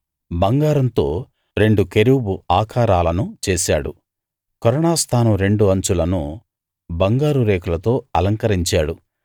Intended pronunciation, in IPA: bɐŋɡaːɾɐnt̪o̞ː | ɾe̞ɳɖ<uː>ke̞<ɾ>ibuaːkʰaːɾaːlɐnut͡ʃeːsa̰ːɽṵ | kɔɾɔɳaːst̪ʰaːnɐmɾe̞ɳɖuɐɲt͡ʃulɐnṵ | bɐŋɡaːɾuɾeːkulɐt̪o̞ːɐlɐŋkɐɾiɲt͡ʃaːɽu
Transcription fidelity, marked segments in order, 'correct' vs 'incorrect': incorrect, correct

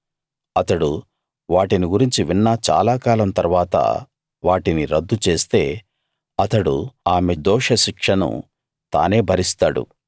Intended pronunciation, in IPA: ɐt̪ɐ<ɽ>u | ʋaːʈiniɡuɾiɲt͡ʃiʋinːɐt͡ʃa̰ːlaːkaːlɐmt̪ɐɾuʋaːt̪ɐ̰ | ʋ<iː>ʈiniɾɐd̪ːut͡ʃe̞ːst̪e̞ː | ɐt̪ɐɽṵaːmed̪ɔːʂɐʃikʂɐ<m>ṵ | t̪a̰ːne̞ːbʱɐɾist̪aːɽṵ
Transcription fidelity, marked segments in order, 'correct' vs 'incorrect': correct, incorrect, incorrect

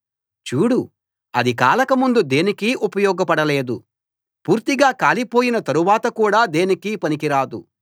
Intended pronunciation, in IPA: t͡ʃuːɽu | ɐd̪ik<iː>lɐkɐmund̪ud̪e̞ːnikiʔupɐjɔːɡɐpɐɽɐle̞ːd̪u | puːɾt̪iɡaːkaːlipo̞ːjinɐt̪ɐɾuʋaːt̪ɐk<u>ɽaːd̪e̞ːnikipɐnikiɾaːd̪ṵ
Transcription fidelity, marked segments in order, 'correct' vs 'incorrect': incorrect, incorrect

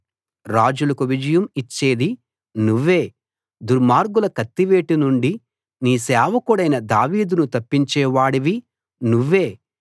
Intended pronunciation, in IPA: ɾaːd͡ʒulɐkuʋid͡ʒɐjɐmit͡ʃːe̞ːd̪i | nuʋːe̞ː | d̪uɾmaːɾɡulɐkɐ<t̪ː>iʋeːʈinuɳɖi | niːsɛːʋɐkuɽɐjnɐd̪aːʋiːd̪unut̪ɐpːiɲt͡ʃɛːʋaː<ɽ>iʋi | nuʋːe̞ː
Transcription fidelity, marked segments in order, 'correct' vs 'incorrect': correct, correct

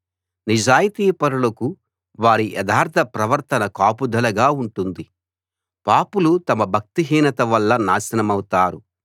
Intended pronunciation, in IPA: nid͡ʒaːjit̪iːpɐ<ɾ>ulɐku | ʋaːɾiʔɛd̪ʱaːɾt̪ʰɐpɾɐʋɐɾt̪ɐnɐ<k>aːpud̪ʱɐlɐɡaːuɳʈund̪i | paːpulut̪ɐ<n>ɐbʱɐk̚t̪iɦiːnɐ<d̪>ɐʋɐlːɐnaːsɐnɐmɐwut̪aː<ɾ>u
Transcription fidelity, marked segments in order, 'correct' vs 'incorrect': correct, correct, incorrect, incorrect, correct

